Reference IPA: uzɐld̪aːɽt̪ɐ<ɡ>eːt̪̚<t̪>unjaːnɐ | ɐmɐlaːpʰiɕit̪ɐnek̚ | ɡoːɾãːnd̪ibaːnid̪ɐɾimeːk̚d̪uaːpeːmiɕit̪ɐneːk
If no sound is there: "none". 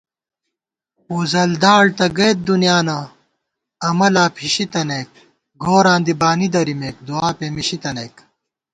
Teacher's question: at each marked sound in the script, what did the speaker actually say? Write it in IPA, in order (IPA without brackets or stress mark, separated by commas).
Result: ɡ, d̪